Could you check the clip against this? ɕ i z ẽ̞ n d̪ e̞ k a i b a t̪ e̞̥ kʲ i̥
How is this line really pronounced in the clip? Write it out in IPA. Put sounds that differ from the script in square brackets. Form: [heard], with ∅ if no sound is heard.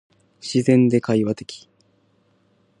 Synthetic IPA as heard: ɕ i z ẽ̞ n d̪ e̞ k a i [β] a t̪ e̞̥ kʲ i̥